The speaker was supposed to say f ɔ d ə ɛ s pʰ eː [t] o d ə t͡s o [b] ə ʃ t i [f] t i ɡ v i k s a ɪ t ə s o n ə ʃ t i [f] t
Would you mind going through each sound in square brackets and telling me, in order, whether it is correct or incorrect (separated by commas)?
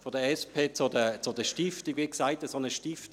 incorrect, incorrect, correct, correct